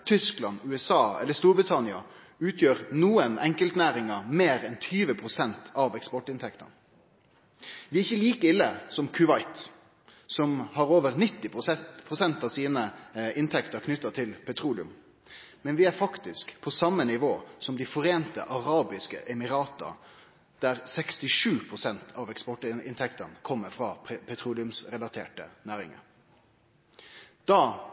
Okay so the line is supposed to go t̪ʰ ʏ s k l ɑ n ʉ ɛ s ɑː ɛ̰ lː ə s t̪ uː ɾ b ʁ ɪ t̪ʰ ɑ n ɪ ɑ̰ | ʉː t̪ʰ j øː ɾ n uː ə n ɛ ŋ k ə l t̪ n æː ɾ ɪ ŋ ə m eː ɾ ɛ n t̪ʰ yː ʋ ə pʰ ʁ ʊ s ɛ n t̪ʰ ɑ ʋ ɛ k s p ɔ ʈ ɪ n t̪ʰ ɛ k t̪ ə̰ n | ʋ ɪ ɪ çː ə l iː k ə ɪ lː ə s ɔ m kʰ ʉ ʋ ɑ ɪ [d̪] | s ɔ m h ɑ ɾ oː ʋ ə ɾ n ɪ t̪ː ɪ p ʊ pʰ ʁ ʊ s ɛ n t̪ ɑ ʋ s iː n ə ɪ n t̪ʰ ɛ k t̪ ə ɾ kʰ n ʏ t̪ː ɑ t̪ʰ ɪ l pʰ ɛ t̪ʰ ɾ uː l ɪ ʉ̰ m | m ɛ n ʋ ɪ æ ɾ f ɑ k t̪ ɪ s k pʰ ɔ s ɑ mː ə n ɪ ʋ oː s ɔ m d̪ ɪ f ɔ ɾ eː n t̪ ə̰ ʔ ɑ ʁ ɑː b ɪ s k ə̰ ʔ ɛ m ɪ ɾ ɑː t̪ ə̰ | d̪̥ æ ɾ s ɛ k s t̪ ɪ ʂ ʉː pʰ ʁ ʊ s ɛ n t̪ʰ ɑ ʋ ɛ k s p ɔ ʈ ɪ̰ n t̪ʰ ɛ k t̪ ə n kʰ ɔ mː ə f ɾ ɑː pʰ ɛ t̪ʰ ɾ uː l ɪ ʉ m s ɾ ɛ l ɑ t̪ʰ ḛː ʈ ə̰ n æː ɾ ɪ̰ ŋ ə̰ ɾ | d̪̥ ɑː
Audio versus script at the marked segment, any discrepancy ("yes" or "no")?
yes